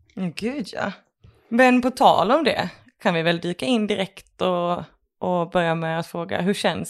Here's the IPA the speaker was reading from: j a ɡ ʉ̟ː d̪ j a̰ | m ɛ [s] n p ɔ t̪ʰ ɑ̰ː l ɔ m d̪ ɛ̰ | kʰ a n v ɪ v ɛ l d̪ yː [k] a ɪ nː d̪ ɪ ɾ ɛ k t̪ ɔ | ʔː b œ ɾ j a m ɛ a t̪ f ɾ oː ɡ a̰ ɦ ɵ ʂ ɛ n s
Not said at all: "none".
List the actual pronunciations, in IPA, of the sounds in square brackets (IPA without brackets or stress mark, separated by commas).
none, k